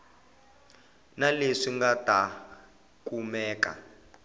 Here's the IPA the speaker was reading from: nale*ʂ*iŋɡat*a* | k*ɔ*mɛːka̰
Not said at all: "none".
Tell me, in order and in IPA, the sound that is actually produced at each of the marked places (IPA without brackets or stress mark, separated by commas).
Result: ʂ, a, u